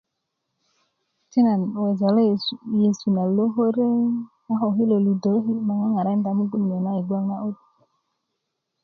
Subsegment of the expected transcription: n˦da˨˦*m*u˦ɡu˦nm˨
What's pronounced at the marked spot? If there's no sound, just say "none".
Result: m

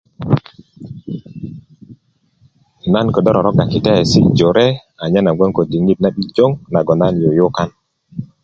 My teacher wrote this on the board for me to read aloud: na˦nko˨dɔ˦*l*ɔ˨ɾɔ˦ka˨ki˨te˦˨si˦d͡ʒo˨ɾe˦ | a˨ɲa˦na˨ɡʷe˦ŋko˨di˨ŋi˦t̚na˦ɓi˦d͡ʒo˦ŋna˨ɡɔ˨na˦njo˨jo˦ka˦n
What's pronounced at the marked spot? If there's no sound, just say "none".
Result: ɾ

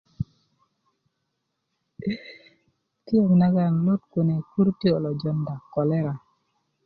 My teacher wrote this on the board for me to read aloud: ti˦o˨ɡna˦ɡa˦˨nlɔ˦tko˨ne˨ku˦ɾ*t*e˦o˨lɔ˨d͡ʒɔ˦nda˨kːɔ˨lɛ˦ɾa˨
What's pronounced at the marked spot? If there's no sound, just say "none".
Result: t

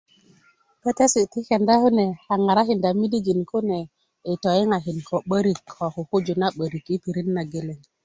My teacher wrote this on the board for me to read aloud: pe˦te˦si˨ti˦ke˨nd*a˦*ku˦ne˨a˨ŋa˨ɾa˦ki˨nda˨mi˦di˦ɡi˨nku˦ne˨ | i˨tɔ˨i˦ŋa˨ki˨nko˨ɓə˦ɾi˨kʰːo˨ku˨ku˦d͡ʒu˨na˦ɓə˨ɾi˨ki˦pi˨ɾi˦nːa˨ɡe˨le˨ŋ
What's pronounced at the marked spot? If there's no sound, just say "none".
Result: a˦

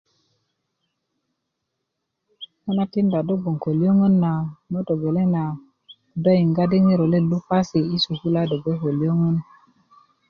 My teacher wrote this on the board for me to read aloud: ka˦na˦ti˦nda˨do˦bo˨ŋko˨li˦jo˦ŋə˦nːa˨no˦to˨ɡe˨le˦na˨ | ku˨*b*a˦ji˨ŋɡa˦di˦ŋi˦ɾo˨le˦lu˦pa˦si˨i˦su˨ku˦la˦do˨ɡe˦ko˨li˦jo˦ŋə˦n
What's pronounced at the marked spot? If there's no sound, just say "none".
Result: d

